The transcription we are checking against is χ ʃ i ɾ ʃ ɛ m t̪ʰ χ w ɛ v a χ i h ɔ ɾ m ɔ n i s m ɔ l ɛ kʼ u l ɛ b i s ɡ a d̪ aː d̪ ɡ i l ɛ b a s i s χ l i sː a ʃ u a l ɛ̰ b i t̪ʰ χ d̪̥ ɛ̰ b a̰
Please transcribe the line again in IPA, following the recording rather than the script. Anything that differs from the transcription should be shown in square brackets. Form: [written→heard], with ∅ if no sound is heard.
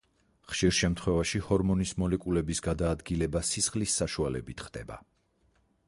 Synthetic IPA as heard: χ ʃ i ɾ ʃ ɛ m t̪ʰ χ w ɛ v a [χ→ʃ] i h ɔ ɾ m ɔ n i s m ɔ l ɛ kʼ u l ɛ b i s ɡ a d̪ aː d̪ ɡ i l ɛ b a s i s χ l i sː a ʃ u a l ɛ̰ b i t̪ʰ χ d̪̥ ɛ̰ b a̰